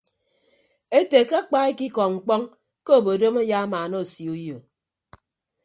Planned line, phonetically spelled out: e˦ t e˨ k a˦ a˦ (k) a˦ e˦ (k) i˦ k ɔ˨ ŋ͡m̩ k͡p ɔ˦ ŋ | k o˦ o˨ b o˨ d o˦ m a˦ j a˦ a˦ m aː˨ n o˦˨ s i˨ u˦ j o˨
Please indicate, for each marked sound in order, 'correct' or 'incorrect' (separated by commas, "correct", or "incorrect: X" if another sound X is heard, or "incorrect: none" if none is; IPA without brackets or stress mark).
incorrect: k͡p, correct